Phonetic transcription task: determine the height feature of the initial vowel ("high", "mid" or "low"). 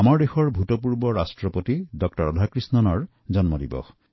low